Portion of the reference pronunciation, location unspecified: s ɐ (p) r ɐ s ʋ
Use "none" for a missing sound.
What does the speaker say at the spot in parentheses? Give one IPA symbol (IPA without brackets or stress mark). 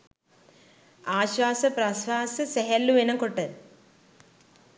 p